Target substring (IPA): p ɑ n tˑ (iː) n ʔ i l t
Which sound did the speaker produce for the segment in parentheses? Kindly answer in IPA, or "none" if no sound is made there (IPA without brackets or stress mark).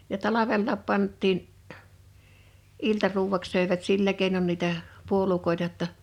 iː